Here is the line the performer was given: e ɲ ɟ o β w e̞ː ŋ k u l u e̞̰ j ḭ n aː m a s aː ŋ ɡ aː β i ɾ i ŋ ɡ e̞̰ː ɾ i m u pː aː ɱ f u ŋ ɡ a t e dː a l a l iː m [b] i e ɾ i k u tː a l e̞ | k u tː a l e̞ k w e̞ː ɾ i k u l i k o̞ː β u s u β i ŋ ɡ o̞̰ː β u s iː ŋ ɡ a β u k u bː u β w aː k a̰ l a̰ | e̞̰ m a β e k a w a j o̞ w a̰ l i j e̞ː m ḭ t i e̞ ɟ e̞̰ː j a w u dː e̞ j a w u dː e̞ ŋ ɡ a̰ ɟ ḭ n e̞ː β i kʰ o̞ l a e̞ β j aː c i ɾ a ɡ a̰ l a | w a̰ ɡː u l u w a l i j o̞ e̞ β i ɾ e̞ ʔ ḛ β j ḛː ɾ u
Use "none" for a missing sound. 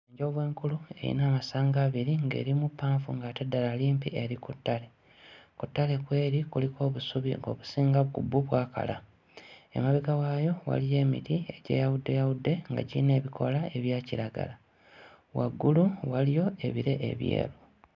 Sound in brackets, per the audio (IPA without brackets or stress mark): p